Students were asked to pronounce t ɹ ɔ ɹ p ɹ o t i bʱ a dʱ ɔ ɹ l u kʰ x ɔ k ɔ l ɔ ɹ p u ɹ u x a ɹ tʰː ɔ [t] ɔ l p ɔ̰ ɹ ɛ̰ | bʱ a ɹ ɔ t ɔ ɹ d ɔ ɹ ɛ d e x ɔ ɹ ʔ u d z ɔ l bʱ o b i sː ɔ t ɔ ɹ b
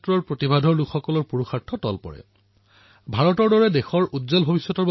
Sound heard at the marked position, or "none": t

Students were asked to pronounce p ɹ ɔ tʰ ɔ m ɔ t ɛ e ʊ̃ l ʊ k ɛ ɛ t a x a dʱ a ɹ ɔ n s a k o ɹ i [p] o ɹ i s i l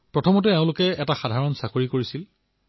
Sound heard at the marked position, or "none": k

